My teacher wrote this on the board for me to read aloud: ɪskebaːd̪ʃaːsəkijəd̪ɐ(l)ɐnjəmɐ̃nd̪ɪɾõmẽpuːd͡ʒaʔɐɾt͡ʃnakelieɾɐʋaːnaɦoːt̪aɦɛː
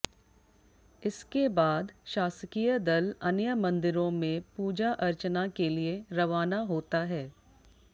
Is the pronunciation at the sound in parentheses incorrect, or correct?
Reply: correct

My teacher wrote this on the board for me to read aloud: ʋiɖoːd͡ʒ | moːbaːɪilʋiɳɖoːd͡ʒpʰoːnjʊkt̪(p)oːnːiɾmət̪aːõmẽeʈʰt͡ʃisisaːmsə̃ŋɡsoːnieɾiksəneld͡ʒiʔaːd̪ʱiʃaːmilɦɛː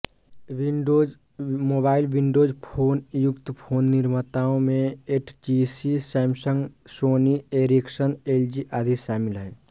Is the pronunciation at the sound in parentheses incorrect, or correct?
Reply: incorrect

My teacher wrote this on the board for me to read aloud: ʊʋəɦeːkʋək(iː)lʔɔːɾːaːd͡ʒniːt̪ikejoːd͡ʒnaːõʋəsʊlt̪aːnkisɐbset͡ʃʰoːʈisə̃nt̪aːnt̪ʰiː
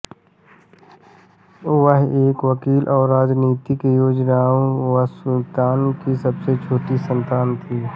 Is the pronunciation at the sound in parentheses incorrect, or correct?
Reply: correct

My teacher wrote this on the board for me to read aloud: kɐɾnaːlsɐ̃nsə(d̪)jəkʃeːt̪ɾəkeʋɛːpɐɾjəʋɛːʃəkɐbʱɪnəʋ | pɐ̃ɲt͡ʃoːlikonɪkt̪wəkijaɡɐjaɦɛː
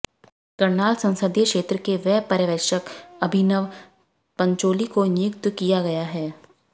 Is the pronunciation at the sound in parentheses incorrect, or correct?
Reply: correct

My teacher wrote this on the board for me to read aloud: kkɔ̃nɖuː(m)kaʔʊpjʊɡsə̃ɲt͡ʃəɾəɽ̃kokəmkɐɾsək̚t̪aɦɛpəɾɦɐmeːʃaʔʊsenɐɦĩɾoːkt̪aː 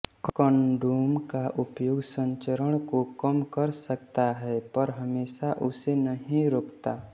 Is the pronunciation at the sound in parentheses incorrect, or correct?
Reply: correct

